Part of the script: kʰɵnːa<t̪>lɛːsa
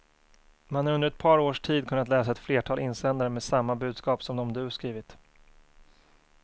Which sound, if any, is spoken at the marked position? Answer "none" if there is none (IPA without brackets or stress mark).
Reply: t̪